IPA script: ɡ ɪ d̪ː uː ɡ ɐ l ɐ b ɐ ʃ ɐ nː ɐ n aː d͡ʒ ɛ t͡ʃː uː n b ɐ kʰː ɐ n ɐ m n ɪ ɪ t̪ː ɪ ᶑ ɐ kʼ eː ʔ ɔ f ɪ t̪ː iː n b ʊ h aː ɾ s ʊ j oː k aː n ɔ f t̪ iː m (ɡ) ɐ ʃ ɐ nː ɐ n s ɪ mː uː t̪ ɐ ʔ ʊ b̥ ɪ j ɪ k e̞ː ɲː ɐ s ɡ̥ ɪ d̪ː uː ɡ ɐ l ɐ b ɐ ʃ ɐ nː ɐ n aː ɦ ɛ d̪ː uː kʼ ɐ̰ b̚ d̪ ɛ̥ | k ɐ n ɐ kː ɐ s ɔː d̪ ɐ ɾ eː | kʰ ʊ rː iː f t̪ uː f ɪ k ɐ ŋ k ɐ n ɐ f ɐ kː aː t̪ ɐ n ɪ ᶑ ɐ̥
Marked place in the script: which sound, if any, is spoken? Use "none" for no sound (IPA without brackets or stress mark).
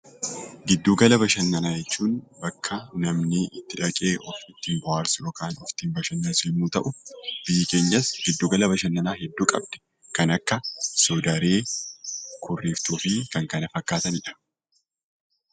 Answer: b